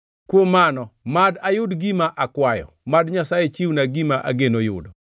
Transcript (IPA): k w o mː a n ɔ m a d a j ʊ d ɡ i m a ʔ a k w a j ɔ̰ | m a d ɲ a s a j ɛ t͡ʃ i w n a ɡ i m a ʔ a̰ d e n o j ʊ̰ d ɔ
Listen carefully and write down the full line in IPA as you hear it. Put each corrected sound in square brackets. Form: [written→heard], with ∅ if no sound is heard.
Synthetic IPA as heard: k w o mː a n ɔ m a d a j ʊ d ɡ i m a ʔ a k w a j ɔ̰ | m a d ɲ a s a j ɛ t͡ʃ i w n a ɡ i m a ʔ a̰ [d→ɡ] e n o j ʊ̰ d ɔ